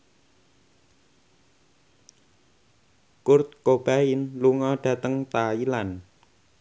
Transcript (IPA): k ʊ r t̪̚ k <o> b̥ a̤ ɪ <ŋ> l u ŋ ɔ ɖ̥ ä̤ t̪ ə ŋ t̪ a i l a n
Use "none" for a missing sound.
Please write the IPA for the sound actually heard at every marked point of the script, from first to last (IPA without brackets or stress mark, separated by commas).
o, n